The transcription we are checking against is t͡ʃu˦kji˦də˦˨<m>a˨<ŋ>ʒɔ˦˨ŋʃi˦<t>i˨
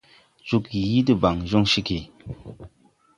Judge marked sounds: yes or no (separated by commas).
no, yes, no